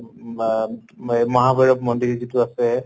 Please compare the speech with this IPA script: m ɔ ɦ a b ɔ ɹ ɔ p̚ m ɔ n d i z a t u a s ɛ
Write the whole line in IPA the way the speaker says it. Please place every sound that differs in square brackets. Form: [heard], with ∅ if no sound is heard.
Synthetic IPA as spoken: m ɔ ɦ a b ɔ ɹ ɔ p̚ m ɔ n d i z [i] t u a s ɛ